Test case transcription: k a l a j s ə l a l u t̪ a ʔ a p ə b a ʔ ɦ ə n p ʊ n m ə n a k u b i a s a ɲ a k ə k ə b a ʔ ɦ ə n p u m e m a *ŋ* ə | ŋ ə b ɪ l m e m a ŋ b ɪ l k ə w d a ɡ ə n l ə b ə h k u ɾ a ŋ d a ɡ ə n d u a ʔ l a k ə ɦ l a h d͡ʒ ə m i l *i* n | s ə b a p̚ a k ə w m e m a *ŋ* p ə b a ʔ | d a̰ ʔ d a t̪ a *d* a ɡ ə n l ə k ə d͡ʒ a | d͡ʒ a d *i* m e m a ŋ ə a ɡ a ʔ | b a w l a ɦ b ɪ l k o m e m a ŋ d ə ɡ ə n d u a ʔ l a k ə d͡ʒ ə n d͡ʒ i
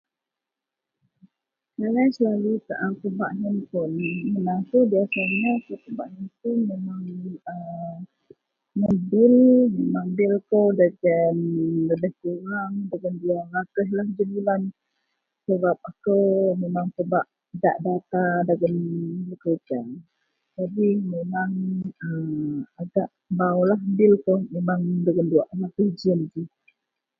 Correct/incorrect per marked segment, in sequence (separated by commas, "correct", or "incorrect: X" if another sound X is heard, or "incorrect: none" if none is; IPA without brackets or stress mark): correct, incorrect: a, correct, correct, correct